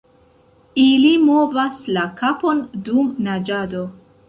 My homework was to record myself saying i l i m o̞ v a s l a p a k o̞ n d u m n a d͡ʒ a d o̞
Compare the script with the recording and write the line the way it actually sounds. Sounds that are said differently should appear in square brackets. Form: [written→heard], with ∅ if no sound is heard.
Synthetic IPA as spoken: i l i m o̞ v a s l a [p→k] a [k→p] o̞ n d u m n a d͡ʒ a d o̞